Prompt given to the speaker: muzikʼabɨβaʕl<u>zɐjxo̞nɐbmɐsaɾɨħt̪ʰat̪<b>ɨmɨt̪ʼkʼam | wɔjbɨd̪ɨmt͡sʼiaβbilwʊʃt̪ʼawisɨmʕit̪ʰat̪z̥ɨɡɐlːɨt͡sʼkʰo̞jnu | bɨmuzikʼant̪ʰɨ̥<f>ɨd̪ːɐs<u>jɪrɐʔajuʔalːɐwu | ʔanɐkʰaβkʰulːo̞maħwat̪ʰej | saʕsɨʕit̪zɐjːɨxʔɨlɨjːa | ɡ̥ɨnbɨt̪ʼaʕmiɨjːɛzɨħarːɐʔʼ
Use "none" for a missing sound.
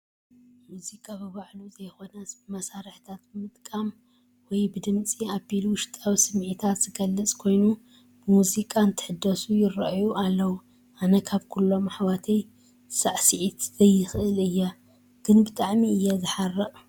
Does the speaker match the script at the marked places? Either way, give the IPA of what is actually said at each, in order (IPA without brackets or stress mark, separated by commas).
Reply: u, b, ħ, u